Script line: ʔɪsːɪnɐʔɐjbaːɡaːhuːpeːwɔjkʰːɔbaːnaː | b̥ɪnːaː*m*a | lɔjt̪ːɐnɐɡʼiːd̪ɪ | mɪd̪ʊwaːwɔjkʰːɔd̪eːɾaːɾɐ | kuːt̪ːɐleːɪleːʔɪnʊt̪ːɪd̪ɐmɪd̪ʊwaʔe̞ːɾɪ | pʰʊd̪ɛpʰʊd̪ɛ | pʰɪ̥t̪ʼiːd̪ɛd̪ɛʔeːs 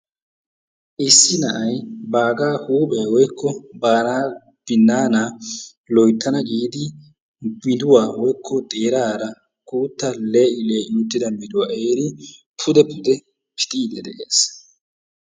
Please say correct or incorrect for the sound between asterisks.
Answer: incorrect